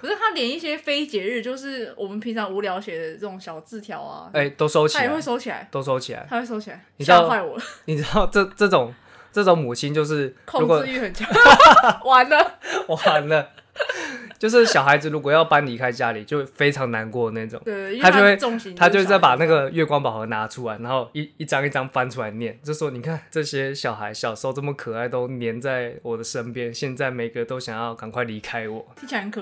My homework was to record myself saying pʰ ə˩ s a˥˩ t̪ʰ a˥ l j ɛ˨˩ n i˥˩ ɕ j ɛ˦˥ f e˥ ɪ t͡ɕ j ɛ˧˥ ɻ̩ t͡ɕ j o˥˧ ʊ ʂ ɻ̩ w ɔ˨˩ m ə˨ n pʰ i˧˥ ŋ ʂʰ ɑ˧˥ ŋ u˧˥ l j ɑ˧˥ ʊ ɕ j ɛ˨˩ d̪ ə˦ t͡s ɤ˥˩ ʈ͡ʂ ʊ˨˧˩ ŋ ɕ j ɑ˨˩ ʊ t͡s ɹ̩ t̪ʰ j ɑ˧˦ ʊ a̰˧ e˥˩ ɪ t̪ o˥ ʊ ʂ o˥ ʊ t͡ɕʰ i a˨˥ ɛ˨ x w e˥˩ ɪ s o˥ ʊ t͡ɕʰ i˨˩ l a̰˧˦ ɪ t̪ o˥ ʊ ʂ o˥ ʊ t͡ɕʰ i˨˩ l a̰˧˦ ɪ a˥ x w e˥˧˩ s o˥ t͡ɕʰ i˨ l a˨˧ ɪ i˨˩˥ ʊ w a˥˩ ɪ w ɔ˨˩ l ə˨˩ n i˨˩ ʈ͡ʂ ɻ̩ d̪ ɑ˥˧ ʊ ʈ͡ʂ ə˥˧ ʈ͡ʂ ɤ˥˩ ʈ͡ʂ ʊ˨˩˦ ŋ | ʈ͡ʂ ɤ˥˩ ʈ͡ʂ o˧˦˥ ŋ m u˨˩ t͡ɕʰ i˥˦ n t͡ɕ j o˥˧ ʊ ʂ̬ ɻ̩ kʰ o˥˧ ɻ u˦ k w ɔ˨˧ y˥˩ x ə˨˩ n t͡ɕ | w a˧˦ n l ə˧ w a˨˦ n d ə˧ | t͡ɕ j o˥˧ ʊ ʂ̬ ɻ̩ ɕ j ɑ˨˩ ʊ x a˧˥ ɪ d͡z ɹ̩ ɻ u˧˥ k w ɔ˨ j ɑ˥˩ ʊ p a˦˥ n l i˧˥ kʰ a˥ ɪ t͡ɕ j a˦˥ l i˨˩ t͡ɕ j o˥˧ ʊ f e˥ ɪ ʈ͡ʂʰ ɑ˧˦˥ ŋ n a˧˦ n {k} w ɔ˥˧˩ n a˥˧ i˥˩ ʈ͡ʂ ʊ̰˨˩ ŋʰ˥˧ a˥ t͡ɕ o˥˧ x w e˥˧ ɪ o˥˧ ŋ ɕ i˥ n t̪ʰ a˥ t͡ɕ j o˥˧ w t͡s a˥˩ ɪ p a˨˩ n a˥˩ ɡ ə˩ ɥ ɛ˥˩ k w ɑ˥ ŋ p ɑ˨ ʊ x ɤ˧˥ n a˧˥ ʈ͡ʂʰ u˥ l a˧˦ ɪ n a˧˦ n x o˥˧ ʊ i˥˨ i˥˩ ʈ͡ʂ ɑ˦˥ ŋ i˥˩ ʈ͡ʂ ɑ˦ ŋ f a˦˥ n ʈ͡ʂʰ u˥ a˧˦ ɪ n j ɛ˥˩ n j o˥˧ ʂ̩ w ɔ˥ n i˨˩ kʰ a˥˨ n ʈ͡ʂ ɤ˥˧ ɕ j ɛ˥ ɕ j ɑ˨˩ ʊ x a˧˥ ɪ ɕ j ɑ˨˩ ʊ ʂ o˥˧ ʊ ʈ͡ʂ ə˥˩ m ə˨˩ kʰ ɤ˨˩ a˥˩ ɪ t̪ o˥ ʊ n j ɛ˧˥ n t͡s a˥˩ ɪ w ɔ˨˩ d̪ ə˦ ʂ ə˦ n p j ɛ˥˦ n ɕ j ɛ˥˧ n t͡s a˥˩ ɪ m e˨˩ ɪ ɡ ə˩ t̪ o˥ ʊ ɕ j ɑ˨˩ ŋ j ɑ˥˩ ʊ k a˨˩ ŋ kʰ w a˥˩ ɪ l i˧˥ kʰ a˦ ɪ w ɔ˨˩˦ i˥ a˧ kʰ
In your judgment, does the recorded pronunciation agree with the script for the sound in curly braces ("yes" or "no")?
yes